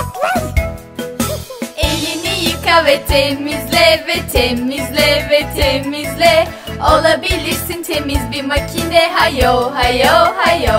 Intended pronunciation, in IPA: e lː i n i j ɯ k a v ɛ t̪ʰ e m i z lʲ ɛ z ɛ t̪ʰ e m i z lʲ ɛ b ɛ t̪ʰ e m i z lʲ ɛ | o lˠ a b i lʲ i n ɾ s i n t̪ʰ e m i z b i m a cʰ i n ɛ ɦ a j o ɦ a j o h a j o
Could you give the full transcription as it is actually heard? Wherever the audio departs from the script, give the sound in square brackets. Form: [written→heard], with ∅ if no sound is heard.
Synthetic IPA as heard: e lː i n i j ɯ k a v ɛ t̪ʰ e m i z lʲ ɛ [z→v] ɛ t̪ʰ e m i z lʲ ɛ [b→v] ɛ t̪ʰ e m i z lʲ ɛ | o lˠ a b i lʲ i [n→∅] ɾ s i n t̪ʰ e m i z b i m a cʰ i n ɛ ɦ a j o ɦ a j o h a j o